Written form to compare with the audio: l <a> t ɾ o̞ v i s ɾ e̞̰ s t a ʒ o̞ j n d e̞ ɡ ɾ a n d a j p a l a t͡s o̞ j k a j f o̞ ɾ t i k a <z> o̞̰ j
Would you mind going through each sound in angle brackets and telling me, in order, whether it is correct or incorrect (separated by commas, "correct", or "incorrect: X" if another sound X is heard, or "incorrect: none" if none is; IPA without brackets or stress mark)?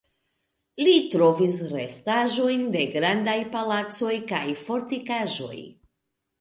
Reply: incorrect: i, incorrect: ʒ